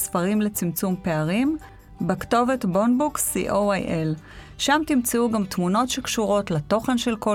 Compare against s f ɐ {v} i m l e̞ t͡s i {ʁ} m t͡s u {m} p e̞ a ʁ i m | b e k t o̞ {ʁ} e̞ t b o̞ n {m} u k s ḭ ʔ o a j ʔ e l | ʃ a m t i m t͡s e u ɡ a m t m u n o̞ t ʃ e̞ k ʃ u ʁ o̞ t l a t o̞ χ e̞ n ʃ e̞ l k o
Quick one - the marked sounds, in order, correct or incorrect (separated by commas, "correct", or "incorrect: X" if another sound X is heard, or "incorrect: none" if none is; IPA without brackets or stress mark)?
incorrect: ʁ, incorrect: none, correct, incorrect: v, incorrect: b